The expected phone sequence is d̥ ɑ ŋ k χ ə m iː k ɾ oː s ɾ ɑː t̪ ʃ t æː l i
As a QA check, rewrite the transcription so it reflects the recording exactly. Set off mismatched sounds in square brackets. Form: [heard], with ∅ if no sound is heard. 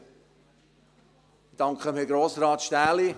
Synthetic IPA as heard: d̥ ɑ ŋ k χ ə m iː [ɡ] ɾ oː s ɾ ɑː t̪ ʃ t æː l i

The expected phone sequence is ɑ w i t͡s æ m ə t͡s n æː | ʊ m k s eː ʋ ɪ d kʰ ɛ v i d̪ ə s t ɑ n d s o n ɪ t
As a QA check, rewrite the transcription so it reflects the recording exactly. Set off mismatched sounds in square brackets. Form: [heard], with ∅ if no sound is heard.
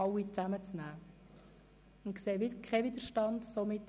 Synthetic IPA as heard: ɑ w i t͡s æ m ə t͡s n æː | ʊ [n] k s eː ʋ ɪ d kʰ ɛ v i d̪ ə [ʃ] t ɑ n d s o [m] ɪ t

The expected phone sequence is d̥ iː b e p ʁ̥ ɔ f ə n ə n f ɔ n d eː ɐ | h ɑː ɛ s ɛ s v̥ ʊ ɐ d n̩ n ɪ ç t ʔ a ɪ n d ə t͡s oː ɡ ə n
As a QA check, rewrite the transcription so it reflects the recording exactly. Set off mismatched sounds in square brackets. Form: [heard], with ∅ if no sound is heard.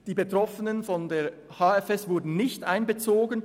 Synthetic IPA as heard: d̥ iː b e [t] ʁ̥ ɔ f ə n ə n f ɔ n d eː ɐ | h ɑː ɛ [f] ɛ s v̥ ʊ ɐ d n̩ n ɪ ç t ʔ a ɪ n [b] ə t͡s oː ɡ ə n

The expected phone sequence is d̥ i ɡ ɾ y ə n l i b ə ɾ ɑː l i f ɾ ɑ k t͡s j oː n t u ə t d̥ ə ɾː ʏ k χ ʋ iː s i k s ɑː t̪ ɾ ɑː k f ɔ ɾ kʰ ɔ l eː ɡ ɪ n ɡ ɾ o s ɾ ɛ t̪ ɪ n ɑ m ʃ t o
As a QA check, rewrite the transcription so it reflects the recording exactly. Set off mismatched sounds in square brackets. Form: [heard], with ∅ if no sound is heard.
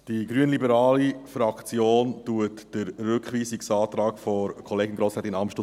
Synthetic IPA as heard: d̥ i ɡ ɾ y ə n l i b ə ɾ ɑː l i f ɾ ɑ k t͡s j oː n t u ə t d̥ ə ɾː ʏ k χ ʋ iː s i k s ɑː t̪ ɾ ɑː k f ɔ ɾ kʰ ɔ l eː ɡ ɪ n ɡ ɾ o s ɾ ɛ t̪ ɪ n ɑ m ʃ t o

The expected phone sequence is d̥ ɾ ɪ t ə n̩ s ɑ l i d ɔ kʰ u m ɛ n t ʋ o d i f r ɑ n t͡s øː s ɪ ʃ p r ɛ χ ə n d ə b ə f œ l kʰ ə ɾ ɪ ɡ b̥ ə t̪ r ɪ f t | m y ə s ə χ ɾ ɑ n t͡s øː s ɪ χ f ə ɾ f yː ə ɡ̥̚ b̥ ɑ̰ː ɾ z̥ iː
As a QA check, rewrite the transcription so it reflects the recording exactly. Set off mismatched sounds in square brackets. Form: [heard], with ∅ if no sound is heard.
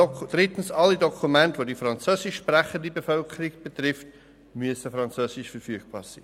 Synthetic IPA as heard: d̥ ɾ ɪ t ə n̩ s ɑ l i d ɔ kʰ u m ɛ n t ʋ o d i f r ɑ n t͡s øː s ɪ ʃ p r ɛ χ ə n d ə b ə f œ l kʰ ə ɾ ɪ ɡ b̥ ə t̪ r ɪ f t | m y ə s ə [f] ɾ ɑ n t͡s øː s ɪ [ʃ] f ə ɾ f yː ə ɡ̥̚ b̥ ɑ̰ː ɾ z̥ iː

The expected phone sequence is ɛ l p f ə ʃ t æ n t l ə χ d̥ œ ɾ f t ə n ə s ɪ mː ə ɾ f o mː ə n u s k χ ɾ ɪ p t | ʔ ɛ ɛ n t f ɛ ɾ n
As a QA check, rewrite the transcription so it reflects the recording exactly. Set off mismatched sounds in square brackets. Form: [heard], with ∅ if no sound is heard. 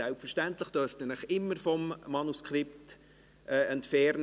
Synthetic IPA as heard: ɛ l p f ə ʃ t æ n t l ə χ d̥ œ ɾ f t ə n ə [χ] ɪ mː ə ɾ f [ɔ] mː [ɑ] n u s k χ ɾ ɪ p t | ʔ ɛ ɛ n t f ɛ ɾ n

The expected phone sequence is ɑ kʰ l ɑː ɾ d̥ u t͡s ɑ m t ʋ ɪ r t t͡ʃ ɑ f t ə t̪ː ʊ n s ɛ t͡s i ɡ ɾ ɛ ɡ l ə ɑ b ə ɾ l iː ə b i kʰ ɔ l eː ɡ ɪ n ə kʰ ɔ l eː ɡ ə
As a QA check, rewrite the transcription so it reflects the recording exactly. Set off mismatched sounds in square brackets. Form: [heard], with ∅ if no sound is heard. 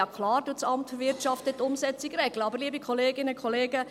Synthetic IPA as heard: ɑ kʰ l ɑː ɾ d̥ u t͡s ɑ m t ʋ ɪ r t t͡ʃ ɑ f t ə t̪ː ʊ [m] s ɛ t͡s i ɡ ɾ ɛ ɡ l ə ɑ b ə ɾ l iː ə b i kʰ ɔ l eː ɡ ɪ n ə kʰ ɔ l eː ɡ ə

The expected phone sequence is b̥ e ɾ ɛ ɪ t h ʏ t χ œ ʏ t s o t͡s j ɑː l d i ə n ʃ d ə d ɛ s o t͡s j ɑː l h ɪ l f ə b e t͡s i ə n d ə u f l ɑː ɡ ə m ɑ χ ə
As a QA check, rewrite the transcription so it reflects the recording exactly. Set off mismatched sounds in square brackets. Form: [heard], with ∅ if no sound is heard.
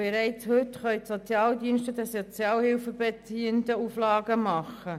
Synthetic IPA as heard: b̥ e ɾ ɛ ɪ [t͡s] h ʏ t χ œ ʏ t s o t͡s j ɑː l d i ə n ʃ [t] ə d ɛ s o t͡s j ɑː l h ɪ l f ə b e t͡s i ə n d ə u f l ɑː ɡ ə m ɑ χ ə

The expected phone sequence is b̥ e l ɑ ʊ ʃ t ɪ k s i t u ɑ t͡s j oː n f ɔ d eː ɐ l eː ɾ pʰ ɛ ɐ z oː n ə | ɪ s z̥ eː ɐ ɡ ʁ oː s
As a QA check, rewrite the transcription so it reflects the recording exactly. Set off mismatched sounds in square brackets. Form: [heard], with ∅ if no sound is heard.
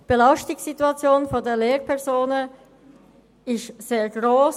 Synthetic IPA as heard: b̥ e l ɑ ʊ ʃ t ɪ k s i t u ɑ t͡s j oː n f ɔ d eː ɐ l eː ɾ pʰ ɛ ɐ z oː n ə | ɪ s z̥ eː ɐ ɡ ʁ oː s

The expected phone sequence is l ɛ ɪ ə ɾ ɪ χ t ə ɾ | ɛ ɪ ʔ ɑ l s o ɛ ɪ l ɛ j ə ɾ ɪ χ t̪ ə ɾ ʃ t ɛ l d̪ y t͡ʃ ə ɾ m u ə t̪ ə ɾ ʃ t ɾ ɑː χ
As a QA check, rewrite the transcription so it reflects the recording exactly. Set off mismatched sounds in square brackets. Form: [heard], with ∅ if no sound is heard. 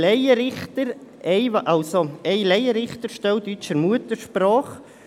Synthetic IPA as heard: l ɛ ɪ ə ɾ ɪ χ t ə ɾ | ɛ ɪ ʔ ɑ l s o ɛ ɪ l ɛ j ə ɾ ɪ χ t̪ ə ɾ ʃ t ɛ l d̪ y t͡ʃ ə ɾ m u ə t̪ ə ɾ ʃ [p] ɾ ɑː χ

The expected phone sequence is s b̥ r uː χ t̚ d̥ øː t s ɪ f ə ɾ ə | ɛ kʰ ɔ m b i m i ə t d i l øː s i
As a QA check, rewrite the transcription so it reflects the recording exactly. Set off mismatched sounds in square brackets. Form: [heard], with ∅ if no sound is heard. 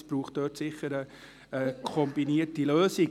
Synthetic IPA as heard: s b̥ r uː χ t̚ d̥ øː t s ɪ [χ] ə ɾ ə | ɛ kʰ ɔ m b i [n] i ə t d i l øː s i

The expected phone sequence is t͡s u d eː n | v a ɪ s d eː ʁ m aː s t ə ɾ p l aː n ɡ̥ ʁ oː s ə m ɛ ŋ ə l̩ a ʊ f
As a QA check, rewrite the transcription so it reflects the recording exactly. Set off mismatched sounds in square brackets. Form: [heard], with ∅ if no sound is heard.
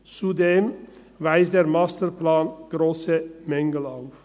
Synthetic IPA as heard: t͡s u d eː [m] | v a ɪ s d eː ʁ m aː s t ə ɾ p l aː n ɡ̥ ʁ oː s ə m ɛ ŋ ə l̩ a ʊ f

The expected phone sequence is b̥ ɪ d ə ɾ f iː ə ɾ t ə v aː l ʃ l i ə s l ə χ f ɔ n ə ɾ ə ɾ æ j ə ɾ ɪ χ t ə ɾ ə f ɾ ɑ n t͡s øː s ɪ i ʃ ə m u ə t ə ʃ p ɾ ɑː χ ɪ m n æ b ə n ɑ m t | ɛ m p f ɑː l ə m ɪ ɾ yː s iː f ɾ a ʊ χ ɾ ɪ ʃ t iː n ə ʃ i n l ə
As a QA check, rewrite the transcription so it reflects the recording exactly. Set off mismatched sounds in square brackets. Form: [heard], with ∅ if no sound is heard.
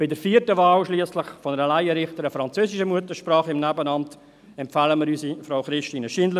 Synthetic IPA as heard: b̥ ɪ d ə ɾ f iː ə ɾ t ə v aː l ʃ l i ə s l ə χ f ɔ n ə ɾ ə [l] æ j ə ɾ ɪ χ t ə ɾ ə f ɾ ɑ n t͡s øː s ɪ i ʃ ə m u ə t ə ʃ p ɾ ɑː χ ɪ m n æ b ə n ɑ m t | ɛ m p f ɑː l ə m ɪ ɾ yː s [i] f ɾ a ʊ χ ɾ ɪ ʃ t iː n ə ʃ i n l ə

